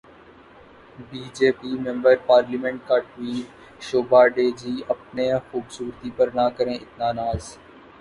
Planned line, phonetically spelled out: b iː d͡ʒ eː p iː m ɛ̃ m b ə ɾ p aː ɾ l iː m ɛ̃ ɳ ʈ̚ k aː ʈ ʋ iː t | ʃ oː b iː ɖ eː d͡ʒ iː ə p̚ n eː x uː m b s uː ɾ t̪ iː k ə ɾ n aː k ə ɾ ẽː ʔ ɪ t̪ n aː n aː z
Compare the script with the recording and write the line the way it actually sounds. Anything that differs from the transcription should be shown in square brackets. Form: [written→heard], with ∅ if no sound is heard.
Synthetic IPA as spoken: b iː d͡ʒ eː p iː m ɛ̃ m b ə ɾ p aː ɾ l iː m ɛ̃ ɳ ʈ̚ k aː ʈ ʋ iː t | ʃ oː b [iː→aː] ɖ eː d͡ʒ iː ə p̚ n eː x uː [m→∅] b s uː ɾ t̪ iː [k→p] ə ɾ n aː k ə ɾ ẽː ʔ ɪ t̪ n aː n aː z

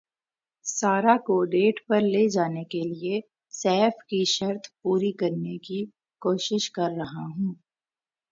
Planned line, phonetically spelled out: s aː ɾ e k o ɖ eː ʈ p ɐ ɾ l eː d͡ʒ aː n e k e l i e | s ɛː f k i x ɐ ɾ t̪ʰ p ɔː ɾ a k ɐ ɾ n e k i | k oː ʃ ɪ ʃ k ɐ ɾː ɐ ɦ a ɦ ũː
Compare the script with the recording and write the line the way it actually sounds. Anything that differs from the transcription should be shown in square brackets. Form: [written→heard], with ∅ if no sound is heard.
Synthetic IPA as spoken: s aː ɾ [e→a] k o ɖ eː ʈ p ɐ ɾ l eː d͡ʒ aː n e k e l i e | s ɛː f k i [x→ʃ] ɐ ɾ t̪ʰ p [ɔː→uː] ɾ [a→i] k ɐ ɾ n e k i | k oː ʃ ɪ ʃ k ɐ ɾː ɐ ɦ a ɦ ũː

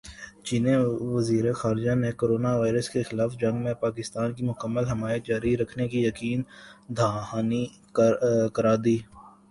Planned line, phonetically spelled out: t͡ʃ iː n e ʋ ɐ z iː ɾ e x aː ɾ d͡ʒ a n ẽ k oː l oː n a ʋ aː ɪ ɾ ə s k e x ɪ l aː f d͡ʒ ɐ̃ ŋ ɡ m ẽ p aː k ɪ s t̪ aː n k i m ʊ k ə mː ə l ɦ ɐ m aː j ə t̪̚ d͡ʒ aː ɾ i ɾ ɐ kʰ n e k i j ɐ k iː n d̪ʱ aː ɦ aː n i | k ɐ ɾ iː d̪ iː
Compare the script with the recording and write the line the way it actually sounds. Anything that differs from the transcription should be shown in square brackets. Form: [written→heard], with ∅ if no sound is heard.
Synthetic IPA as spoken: t͡ʃ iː n e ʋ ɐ z iː ɾ e x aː ɾ d͡ʒ a n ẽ k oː [l→ɾ] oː n a ʋ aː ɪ ɾ ə s k e x ɪ l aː f d͡ʒ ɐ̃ ŋ ɡ m ẽ p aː k ɪ s t̪ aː n k i m ʊ k ə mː ə l ɦ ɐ m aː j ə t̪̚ d͡ʒ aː ɾ i ɾ ɐ kʰ n e k i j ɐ k iː n d̪ʱ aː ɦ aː n i | k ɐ ɾ [iː→aː] d̪ iː

